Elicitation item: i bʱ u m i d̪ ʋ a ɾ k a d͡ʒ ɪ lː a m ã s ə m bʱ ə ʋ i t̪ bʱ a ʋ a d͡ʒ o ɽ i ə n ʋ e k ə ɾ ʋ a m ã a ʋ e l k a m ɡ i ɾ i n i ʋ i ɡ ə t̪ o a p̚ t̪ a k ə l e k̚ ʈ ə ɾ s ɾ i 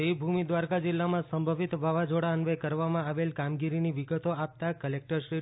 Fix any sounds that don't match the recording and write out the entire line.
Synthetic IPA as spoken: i bʱ u m i d̪ ʋ a ɾ k a d͡ʒ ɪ lː a m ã s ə m bʱ ə ʋ i t̪ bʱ a ʋ a d͡ʒ o ɽ a ə n ʋ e k ə ɾ ʋ a m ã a ʋ e l k a m ɡ i ɾ i n i ʋ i ɡ ə t̪ o a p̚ t̪ a k ə l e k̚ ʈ ə ɾ ʃ ɾ i